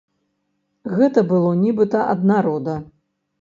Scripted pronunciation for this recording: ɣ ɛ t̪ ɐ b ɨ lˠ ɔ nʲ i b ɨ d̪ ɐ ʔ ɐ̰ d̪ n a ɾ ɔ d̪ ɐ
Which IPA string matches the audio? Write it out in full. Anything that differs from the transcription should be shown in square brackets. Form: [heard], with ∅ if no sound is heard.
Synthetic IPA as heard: ɣ ɛ t̪ ɐ b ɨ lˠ ɔ nʲ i b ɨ [t̪] ɐ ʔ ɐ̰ d̪ n a ɾ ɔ d̪ ɐ